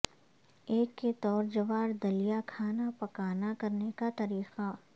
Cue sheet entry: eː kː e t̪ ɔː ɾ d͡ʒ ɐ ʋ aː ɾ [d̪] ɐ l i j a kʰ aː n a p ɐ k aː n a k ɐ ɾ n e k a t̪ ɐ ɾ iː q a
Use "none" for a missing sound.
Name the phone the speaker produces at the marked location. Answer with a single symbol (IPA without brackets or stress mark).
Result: d̪